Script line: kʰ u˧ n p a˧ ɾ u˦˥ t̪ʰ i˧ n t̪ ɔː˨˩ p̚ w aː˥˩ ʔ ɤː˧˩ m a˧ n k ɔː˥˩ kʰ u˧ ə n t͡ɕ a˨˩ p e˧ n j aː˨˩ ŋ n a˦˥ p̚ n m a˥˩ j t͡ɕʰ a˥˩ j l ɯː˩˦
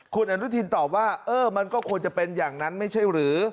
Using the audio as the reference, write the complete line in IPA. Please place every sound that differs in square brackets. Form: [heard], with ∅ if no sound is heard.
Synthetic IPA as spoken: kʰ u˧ n [ʔ] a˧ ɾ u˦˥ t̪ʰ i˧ n t̪ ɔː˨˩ p̚ w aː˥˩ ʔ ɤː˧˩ m a˧ n k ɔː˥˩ kʰ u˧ ə n t͡ɕ a˨˩ p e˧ n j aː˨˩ ŋ n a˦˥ [∅] n m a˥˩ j t͡ɕʰ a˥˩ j [ɾ] ɯː˩˦

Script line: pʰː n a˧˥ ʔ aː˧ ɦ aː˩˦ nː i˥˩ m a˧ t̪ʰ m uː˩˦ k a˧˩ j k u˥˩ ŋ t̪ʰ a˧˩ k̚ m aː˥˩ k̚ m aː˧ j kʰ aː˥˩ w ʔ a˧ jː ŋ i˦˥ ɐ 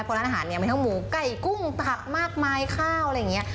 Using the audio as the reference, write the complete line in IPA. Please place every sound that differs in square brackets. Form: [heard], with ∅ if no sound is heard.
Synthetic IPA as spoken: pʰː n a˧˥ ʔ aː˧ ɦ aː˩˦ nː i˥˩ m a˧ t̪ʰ m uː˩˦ k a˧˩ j k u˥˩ ŋ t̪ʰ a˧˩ k̚ m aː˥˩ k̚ m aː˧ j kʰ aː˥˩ w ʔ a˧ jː ŋ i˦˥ ɐ

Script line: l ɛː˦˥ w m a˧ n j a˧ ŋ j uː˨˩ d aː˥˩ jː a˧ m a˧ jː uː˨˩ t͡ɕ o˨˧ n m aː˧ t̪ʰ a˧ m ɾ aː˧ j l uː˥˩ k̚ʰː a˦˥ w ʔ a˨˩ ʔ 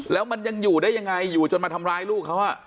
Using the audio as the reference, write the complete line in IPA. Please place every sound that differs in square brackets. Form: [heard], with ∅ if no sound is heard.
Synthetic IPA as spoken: l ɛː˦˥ w m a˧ n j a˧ ŋ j uː˨˩ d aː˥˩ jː a˧ [ŋ] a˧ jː uː˨˩ t͡ɕ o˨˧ n m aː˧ t̪ʰ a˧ m ɾ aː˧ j l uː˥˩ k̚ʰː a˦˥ w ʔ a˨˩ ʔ

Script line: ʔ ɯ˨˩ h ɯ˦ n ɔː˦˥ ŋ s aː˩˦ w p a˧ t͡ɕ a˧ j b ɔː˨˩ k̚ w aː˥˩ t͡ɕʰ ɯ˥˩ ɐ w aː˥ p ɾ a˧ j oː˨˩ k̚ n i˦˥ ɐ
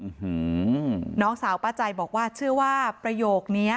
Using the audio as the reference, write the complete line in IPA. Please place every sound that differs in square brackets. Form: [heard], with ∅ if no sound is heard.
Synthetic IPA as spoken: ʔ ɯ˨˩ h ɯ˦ n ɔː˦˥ ŋ s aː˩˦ w p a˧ t͡ɕ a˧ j b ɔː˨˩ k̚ w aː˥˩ t͡ɕʰ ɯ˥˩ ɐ w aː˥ p ɾ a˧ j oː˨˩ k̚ n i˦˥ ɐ

